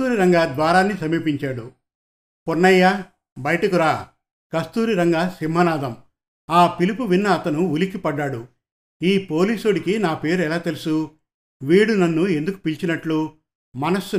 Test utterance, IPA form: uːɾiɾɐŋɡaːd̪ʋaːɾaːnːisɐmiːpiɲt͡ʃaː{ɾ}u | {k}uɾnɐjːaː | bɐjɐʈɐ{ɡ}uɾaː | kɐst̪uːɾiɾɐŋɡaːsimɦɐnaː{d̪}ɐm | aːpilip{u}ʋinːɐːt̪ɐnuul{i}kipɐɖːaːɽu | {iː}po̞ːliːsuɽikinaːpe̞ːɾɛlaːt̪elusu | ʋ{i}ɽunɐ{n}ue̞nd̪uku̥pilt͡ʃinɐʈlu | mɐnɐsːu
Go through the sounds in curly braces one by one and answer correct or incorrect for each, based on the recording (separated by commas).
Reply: incorrect, incorrect, incorrect, correct, correct, correct, correct, incorrect, incorrect